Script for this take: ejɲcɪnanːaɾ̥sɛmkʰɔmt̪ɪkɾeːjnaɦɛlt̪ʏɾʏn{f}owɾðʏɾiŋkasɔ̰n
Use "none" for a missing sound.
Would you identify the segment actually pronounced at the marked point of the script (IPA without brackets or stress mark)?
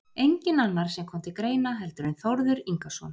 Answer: θ